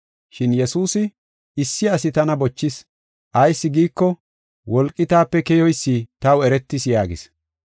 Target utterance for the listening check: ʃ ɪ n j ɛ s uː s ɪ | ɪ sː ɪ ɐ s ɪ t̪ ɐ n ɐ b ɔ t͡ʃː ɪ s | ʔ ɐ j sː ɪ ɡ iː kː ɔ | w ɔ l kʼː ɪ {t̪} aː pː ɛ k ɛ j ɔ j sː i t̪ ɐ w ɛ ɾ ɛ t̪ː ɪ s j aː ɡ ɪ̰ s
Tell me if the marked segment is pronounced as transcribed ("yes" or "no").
yes